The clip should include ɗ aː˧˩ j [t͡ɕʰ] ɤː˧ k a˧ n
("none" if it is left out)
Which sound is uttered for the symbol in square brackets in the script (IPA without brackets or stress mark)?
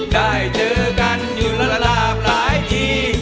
t͡ɕ